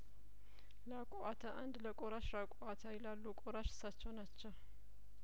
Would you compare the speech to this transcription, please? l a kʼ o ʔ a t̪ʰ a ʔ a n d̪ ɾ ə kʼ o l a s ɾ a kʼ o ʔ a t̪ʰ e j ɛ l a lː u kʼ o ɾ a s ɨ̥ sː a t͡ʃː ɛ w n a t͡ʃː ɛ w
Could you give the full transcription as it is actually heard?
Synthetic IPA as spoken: l a kʼ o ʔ a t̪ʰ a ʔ a n d̪ l ə kʼ o ɾ a ʃ ɾ a kʼ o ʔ a t̪ʰ a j ɛ l a lː u kʼ o ɾ a ʃ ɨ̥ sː a t͡ʃː ɛ w n a t͡ʃː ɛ w